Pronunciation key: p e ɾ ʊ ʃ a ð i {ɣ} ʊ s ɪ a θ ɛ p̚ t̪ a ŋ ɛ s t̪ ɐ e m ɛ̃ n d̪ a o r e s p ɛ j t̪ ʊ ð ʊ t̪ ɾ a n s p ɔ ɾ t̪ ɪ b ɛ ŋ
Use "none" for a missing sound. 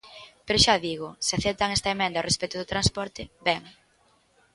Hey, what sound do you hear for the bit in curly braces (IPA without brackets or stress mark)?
ɣ